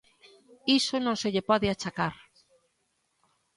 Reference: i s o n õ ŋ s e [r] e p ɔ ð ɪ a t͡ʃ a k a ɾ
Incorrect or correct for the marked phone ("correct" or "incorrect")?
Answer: incorrect